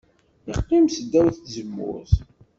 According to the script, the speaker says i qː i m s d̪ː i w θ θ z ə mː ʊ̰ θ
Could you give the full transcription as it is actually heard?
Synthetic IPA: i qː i m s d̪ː æ w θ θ z ə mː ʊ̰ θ